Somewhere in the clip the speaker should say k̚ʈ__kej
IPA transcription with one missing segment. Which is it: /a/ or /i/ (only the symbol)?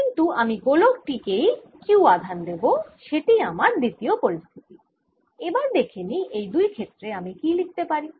i